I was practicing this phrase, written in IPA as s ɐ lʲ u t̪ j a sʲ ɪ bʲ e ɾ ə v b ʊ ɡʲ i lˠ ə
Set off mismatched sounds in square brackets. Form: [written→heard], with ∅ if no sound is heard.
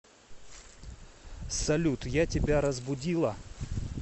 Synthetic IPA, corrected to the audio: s ɐ lʲ u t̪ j a [sʲ→tʲ] ɪ bʲ [e→a] ɾ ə [v→z] b ʊ [ɡʲ→dʲ] i lˠ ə